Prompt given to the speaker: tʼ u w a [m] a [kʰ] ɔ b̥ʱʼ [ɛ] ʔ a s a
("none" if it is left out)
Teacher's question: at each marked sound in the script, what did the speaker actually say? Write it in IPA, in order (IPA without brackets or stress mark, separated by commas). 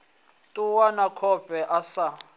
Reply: n, kʰ, ɛ